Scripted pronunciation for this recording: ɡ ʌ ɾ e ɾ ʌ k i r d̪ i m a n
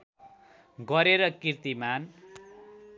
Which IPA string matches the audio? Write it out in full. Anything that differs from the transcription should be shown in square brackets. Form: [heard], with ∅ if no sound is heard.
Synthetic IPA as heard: ɡ ʌ ɾ e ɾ ʌ k i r [t̪] i m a n

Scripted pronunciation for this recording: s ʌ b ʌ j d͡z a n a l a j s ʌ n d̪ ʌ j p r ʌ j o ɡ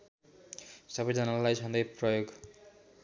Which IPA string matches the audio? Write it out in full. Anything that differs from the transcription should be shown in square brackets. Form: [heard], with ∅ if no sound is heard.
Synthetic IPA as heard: s ʌ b ʌ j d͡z [ʌ] n a l a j s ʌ n d̪ ʌ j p r ʌ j o ɡ

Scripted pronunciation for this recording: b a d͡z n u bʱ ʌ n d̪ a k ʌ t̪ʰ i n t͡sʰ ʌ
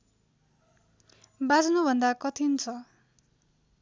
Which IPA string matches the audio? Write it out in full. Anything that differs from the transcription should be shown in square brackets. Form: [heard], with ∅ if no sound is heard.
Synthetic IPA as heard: b a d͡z n u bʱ ʌ n d̪ a k ʌ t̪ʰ i n t͡sʰ ʌ

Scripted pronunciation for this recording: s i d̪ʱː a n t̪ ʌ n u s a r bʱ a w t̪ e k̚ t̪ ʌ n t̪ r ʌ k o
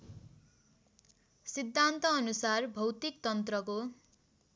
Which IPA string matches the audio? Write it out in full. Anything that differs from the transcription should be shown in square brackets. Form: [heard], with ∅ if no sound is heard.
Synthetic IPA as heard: s i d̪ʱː a n t̪ [ʌː] n u s a r bʱ [ʌ] w t̪ [i] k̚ t̪ ʌ n t̪ r ʌ k o

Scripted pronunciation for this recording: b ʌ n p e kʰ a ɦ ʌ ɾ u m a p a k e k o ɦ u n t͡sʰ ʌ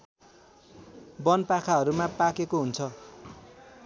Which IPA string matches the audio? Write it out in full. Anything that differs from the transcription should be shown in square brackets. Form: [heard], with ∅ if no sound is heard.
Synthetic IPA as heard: b ʌ n p [a] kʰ a ɦ ʌ ɾ u m a p a k e k o ɦ u n t͡sʰ ʌ

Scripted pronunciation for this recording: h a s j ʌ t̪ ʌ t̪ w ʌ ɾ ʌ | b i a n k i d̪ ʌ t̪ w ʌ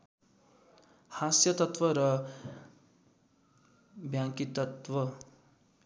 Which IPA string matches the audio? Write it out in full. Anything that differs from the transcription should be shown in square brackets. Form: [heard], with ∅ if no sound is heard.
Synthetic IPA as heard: h a s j ʌ t̪ ʌ t̪ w ʌ ɾ ʌ | b [j] a [ŋ] k i [t̪] ʌ t̪ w ʌ

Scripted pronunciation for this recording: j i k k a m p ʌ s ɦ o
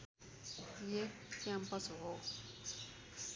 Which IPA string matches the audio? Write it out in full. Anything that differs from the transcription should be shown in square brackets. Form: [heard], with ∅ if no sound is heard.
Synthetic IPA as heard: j [e] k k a m p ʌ s ɦ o

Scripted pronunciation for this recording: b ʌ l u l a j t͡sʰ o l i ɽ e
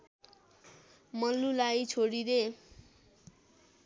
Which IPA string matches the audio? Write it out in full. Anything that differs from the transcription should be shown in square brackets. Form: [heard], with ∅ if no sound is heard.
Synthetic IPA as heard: [m] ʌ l u l a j t͡sʰ o [ɽ] i [ɾ] e

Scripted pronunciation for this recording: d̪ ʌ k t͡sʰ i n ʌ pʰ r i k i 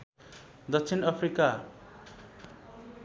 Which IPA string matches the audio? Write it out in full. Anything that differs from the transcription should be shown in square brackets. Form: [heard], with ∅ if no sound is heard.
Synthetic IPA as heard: d̪ ʌ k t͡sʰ i n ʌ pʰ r i k [a]

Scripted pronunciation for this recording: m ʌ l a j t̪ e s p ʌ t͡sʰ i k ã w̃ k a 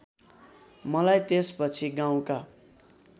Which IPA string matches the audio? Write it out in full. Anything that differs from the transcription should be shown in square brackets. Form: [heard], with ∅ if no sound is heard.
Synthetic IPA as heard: m ʌ l a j t̪ e s p ʌ t͡sʰ i [ɡ] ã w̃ k a

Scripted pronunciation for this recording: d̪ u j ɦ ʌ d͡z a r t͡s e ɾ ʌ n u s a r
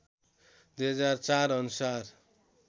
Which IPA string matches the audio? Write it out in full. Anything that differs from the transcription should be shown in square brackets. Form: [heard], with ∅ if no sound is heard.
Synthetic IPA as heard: d̪ u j ɦ ʌ d͡z a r t͡s [a] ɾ ʌ n u s a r

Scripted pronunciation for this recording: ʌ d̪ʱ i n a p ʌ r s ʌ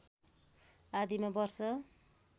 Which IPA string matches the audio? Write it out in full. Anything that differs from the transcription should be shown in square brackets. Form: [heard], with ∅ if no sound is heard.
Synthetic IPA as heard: [a] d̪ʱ i [m] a [b] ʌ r s ʌ

